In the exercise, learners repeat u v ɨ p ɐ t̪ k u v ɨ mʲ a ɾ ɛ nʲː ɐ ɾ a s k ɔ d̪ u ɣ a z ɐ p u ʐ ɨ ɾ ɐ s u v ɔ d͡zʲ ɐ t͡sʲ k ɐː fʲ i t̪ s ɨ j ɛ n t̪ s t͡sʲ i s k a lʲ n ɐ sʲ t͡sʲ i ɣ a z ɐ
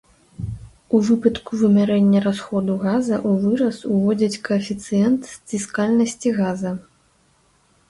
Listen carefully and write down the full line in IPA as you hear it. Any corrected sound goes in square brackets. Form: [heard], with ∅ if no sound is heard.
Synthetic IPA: u v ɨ p ɐ t̪ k u v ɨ mʲ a ɾ ɛ nʲː ɐ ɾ a s [x] ɔ d̪ u ɣ a z ɐ [ʔ] u [v] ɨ ɾ ɐ s u v ɔ d͡zʲ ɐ t͡sʲ k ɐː fʲ i t̪ s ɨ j ɛ n t̪ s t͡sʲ i s k a lʲ n ɐ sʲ t͡sʲ i ɣ a z ɐ